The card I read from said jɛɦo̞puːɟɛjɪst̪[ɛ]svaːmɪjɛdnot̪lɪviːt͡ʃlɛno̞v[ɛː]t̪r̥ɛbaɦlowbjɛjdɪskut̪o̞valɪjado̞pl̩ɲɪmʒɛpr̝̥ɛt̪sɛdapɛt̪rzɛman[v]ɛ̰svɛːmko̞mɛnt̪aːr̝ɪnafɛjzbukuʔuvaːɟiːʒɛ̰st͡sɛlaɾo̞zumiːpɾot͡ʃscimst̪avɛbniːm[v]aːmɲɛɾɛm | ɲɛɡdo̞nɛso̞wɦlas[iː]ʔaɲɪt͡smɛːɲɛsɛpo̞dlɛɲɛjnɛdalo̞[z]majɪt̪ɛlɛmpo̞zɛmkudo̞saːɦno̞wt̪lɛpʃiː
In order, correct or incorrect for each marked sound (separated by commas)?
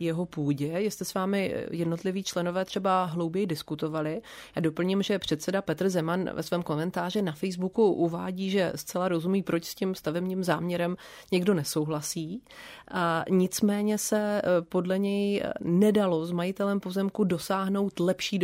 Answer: correct, correct, correct, incorrect, correct, correct